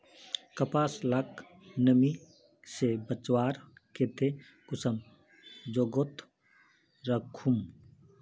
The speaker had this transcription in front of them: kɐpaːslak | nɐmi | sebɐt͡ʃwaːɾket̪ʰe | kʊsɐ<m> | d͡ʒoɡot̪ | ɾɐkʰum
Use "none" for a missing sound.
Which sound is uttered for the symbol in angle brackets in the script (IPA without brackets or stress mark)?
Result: m